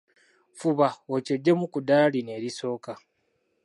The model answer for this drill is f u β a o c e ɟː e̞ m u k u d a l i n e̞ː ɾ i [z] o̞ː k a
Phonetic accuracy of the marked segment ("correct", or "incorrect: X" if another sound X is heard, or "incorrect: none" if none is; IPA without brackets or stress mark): incorrect: s